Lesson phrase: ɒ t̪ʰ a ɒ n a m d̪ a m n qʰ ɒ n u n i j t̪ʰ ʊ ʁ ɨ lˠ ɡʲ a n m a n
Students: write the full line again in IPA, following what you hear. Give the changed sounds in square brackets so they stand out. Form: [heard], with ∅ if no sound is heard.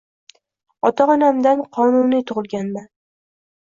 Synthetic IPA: ɒ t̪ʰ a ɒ n a m d̪ a [∅] n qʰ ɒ n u n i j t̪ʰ ʊ ʁ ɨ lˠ ɡʲ a n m a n